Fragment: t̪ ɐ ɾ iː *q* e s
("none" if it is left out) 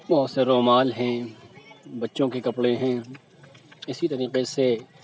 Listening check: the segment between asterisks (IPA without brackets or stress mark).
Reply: q